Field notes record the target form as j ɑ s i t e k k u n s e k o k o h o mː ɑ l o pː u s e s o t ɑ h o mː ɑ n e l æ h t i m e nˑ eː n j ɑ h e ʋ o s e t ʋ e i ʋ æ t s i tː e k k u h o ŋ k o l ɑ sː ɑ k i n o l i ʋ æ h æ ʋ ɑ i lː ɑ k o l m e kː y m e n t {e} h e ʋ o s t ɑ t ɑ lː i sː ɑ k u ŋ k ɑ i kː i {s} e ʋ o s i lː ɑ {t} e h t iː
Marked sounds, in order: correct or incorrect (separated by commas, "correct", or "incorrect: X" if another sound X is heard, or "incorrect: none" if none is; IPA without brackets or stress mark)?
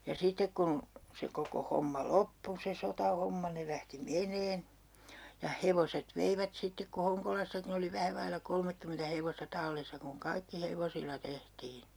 incorrect: æ, incorrect: h, correct